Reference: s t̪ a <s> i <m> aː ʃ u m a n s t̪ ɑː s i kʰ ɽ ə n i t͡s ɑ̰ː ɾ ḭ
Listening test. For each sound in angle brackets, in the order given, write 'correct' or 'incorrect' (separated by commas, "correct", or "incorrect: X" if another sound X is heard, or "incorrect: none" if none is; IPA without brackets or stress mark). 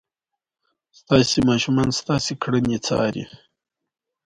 correct, correct